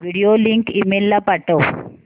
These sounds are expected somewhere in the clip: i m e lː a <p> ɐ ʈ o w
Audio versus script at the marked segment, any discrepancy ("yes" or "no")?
no